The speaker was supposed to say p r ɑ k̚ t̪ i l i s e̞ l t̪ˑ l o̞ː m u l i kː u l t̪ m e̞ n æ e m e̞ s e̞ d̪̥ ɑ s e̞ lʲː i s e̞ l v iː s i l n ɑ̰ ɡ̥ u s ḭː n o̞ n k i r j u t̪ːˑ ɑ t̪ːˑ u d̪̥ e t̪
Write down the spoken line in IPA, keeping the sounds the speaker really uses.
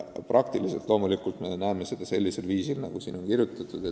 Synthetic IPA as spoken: p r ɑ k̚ t̪ i l i s e̞ l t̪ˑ l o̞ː m u l i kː u l t̪ m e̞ n æ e m e̞ s e̞ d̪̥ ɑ s e̞ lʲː i s e̞ l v iː s i l n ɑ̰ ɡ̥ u s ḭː n o̞ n k i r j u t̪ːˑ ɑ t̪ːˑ u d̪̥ e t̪